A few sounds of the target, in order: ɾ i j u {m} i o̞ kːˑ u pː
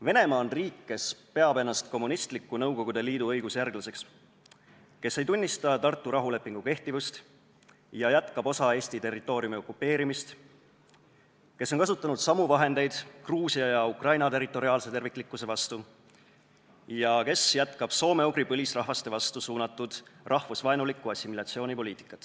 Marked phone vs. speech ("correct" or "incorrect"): correct